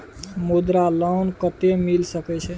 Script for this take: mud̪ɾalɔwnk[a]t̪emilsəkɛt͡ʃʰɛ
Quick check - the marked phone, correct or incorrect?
incorrect